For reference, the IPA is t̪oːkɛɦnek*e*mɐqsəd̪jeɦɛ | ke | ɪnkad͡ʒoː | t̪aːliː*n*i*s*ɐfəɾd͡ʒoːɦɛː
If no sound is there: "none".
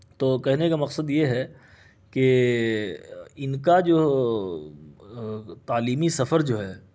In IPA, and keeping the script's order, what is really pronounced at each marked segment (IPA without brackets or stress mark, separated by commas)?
a, m, s